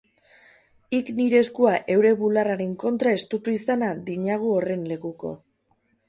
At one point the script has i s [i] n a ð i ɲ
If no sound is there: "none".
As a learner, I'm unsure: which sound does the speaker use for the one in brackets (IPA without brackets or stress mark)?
a